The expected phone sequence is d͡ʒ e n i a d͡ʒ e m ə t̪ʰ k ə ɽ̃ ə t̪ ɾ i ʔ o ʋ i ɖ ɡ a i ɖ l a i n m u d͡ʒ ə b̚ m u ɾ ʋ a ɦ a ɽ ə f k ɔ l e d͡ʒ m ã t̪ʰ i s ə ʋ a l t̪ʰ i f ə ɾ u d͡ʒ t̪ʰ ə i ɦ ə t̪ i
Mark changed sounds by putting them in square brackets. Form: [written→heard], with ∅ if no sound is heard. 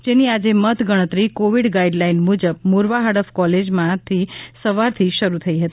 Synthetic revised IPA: d͡ʒ e n i a d͡ʒ e m ə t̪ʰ [k→ɡ] ə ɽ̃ ə t̪ ɾ i [ʔ→k] o ʋ i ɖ ɡ a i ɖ l a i n m u d͡ʒ ə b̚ m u ɾ ʋ a ɦ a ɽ ə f k ɔ l e d͡ʒ m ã t̪ʰ i s ə ʋ a [l→ɾ] t̪ʰ i [f→ʃ] ə ɾ u [d͡ʒ→∅] t̪ʰ ə i ɦ ə t̪ i